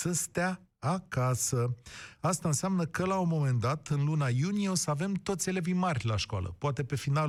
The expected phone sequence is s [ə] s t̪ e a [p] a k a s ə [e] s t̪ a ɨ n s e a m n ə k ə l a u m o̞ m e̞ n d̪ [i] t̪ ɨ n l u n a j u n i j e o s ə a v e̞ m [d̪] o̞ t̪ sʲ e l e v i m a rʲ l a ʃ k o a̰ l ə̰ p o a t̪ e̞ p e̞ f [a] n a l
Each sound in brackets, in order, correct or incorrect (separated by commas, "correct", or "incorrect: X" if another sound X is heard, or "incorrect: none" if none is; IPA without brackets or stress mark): correct, incorrect: none, incorrect: a, incorrect: a, incorrect: t̪, incorrect: i